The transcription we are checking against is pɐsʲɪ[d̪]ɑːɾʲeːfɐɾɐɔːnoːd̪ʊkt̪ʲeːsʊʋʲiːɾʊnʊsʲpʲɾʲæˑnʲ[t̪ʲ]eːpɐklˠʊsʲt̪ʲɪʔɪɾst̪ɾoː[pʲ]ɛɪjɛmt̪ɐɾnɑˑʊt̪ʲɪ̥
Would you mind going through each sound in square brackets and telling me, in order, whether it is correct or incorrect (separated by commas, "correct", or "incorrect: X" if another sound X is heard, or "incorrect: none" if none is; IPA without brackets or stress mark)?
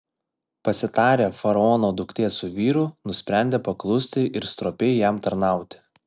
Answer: incorrect: t̪, incorrect: d̪ʲ, correct